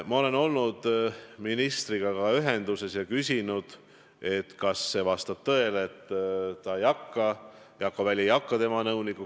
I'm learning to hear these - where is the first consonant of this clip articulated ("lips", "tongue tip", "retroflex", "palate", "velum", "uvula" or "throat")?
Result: lips